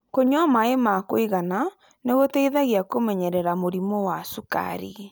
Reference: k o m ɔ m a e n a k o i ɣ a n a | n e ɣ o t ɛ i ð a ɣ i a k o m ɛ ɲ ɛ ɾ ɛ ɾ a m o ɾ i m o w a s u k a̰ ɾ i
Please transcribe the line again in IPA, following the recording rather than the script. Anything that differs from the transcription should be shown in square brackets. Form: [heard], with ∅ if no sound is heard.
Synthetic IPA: k o [ɲ] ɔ m a e [m] a k o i ɣ a n a | n e ɣ o t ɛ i ð a ɣ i a k o m ɛ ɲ ɛ ɾ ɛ ɾ a m o ɾ i m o w a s u k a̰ ɾ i